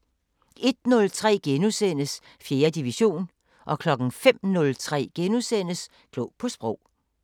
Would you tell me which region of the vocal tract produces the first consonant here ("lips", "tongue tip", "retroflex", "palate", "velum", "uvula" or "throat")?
tongue tip